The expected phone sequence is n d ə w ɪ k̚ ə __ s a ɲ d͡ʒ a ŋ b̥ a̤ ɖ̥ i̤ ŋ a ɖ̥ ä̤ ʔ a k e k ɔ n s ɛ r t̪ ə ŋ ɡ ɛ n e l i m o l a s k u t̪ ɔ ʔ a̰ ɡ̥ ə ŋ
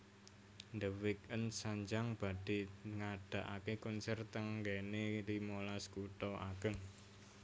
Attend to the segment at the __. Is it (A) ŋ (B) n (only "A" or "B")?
B